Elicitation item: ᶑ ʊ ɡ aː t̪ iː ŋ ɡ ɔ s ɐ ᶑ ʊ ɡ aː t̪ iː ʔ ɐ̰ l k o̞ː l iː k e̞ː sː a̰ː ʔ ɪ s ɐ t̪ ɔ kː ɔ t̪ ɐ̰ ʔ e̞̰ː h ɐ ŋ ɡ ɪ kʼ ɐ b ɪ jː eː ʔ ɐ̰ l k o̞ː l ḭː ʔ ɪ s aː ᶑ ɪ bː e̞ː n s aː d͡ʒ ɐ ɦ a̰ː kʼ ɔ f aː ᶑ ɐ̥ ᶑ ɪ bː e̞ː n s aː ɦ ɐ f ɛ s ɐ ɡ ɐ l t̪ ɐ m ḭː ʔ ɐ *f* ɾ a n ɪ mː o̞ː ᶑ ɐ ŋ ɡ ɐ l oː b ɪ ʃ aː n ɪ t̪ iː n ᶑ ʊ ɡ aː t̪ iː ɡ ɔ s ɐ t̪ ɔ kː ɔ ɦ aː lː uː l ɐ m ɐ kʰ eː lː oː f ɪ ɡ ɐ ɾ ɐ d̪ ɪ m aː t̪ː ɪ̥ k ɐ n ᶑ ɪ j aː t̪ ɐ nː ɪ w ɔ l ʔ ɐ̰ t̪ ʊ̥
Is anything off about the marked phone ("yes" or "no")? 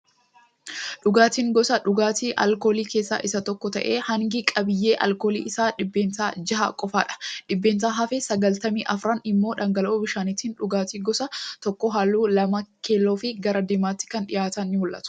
no